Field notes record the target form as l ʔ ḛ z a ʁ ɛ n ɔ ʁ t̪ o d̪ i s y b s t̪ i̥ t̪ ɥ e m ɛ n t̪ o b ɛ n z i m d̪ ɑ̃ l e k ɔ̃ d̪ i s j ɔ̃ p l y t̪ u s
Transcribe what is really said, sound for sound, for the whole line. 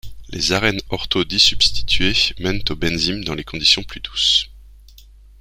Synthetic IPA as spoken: l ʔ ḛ z a ʁ ɛ n ɔ ʁ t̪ o d̪ i s y b s t̪ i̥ t̪ ɥ e m ɛ n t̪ o b ɛ n z i m d̪ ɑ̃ l e k ɔ̃ d̪ i s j ɔ̃ p l y d̪ u s